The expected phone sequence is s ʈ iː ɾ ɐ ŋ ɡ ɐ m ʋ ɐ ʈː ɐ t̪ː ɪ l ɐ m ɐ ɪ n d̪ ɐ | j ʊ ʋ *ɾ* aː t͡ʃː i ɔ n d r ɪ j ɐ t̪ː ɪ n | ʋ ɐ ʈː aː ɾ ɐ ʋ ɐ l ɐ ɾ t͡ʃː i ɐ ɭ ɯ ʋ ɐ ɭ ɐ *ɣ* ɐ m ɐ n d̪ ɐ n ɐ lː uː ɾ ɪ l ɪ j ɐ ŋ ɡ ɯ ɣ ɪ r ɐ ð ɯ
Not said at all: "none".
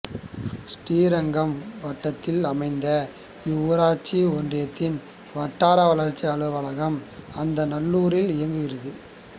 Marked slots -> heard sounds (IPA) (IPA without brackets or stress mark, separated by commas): ɾ, ɣ